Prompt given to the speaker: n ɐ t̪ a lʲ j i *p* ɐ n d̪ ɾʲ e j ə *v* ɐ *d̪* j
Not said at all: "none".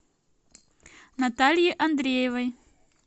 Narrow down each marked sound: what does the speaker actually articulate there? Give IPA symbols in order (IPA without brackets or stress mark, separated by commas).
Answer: ʔ, v, none